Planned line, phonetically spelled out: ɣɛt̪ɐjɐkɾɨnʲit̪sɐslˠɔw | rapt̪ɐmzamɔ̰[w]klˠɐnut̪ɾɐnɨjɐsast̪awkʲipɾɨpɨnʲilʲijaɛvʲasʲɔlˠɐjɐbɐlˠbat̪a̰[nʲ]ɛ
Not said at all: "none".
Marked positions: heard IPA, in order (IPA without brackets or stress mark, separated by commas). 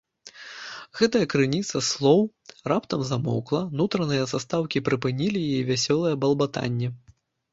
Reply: w, nʲː